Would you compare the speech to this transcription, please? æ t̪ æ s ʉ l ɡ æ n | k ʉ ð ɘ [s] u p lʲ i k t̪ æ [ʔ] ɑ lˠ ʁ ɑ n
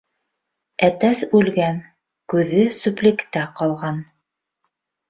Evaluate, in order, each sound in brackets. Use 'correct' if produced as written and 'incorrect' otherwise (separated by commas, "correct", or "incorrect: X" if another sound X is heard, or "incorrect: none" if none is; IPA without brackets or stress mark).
correct, incorrect: q